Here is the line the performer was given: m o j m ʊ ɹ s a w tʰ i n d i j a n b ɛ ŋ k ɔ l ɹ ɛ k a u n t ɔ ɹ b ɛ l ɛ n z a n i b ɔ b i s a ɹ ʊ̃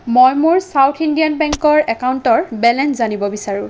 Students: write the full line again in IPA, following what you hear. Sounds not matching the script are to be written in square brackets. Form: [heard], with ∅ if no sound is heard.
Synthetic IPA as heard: m o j m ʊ ɹ s a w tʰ i n d i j a n b ɛ ŋ k ɔ [∅] ɹ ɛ k a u n t ɔ ɹ b ɛ l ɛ n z a n i b ɔ b i s a ɹ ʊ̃